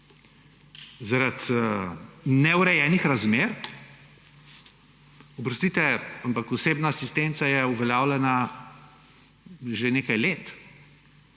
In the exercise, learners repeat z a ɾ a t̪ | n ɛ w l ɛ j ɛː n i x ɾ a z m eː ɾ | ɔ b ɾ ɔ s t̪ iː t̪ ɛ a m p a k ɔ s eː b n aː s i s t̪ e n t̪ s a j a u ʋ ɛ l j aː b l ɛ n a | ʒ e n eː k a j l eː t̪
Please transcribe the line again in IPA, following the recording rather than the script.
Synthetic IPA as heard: z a ɾ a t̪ | n ɛ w ɾ ɛ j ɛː n i x ɾ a z m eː ɾ | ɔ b ɾ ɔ s t̪ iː t̪ ɛ a m p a k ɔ s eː b n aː s i s t̪ e n t̪ s a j ɛ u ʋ ɛ l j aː w l ɛ n a | ʒ e n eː k a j l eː t̪

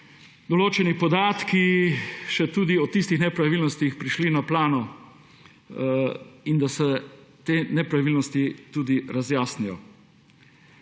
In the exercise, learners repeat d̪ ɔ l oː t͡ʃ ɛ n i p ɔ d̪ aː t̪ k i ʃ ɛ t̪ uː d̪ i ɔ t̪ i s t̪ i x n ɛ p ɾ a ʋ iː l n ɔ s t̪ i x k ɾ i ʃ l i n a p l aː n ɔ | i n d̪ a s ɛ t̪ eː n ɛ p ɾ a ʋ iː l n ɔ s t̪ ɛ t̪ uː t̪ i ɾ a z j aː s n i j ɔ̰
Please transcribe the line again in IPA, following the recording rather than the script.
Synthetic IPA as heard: d̪ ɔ l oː t͡ʃ ɛ n i p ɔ d̪ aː t̪ k i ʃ ɛ t̪ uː d̪ i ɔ t̪ i s t̪ i x n ɛ p ɾ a ʋ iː l n ɔ s t̪ i x p ɾ i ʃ l i n a p l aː n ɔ | i n d̪ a s ɛ t̪ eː n ɛ p ɾ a ʋ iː l n ɔ s t̪ i t̪ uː d̪ i ɾ a z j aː s n i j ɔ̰

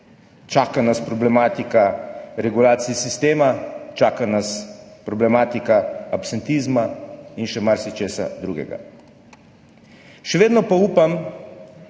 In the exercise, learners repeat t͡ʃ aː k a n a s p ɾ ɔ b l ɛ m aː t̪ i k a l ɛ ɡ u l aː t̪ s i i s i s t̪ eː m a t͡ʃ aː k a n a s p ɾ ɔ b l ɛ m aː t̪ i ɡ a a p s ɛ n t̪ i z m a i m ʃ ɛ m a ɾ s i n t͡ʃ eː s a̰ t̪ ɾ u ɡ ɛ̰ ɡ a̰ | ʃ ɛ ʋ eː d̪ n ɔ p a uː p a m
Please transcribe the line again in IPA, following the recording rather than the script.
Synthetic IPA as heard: t͡ʃ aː k a n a s p ɾ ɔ b l ɛ m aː t̪ i k a ɾ ɛ ɡ u l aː t̪ s i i s i s t̪ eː m a t͡ʃ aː k a n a s p ɾ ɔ b l ɛ m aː t̪ i k a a p s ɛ n t̪ i z m a i n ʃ ɛ m a ɾ s i t͡ʃ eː s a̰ d̪ ɾ u ɡ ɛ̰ ɡ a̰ | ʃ ɛ ʋ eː d̪ n ɔ p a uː p a m

